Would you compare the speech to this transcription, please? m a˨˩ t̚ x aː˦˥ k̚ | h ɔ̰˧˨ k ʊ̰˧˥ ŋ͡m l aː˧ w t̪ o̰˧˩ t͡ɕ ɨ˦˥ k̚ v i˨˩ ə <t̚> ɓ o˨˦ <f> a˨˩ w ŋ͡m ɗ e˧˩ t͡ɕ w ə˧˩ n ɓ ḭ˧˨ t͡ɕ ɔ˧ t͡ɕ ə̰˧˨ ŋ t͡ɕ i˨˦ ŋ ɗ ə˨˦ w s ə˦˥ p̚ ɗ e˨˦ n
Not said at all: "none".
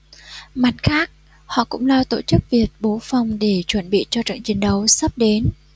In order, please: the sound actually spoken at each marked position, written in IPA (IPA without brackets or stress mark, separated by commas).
t̚, f